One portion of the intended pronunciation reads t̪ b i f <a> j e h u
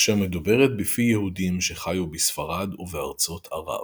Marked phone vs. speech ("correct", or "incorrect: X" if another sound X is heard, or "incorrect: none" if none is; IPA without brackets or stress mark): incorrect: i